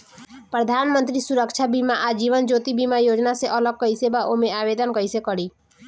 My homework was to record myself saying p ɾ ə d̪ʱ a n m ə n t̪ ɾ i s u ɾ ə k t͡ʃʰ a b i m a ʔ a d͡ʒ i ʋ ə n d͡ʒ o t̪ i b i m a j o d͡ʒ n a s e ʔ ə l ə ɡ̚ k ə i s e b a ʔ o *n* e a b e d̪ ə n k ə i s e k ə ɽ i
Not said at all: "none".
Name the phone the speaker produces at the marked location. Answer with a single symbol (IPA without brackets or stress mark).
m